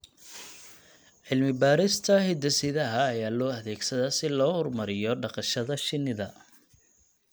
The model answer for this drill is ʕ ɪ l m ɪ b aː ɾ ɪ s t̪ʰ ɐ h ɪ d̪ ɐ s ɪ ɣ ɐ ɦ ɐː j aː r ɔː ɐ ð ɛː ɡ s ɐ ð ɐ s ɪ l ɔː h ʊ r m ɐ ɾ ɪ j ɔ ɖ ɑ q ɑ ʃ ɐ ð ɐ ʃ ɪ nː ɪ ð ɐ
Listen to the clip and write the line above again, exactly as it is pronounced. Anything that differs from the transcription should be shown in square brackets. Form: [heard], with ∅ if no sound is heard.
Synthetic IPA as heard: ʕ ɪ l m ɪ b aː ɾ ɪ s t̪ʰ ɐ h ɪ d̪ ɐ s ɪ [ð] ɐ ɦ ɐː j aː [l] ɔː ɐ ð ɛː ɡ s ɐ ð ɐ s ɪ l ɔː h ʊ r m ɐ ɾ ɪ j ɔ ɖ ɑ q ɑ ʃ ɐ ð ɐ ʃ ɪ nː ɪ ð ɐ